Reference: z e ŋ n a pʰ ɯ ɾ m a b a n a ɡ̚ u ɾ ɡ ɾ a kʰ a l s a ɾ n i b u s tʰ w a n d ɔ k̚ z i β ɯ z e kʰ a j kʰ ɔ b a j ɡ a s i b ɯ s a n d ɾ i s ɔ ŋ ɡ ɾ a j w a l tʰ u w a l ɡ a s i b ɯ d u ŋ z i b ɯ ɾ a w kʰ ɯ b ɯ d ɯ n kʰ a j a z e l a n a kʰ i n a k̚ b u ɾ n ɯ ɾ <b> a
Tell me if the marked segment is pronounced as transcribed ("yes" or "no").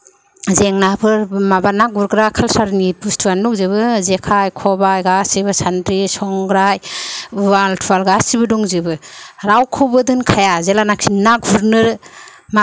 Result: no